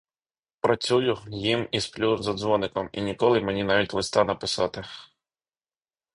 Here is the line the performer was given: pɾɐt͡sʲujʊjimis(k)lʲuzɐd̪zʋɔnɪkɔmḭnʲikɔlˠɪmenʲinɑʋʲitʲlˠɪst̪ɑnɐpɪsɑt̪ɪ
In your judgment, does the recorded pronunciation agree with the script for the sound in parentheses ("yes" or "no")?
no